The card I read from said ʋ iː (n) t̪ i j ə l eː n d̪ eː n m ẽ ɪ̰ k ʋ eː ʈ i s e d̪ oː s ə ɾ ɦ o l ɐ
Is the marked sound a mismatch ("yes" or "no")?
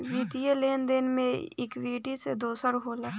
yes